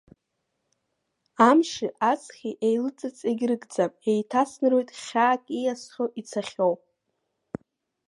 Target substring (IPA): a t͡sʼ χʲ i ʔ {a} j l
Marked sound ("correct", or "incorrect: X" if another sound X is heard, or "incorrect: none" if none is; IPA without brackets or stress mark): incorrect: e